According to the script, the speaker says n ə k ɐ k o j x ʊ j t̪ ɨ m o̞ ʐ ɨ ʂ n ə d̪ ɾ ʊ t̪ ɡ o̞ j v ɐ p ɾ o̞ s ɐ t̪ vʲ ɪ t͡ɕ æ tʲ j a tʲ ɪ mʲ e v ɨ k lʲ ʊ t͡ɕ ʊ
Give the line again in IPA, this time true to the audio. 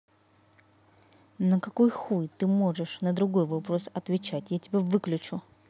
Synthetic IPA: n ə k ɐ k o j x u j t̪ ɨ m o̞ ʐ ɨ ʂ n ə d̪ ɾ ʊ ɡ o̞ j v ɐ p ɾ o̞ s ɐ t̪ vʲ ɪ t͡ɕ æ tʲ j a tʲ ɪ bʲ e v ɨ k lʲ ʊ t͡ɕ ʊ